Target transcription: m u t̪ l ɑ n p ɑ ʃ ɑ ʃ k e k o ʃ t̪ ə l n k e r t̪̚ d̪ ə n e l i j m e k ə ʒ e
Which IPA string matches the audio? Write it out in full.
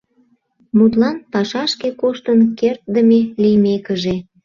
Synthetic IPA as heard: m u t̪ l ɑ n p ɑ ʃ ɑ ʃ k e k o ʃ t̪ ə n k e r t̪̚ d̪ ə m e l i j m e k ə ʒ e